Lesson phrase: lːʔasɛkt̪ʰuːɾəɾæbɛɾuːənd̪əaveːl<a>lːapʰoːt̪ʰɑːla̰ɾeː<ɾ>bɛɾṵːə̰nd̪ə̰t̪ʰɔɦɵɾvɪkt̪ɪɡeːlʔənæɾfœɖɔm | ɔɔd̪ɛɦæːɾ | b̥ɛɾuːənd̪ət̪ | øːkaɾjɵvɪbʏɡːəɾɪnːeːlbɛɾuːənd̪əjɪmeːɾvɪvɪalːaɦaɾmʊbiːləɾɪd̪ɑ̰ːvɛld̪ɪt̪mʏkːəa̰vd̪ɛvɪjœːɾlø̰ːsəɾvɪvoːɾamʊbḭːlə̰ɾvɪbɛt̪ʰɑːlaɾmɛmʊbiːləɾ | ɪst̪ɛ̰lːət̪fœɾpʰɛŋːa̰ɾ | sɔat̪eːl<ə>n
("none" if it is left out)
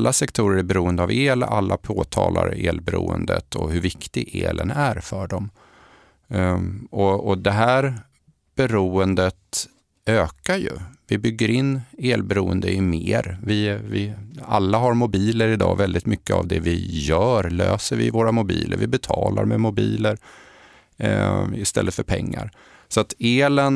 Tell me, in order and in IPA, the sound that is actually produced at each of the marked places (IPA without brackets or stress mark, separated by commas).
a, l, ə